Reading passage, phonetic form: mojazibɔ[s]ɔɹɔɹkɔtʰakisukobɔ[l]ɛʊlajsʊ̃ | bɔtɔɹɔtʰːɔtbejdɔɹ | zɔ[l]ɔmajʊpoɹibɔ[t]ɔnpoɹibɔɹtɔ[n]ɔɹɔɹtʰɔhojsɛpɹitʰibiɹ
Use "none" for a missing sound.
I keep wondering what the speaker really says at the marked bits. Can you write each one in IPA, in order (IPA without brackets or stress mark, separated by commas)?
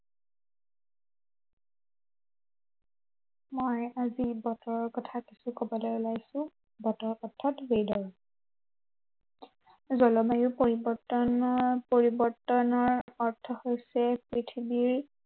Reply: t, l, l, t, n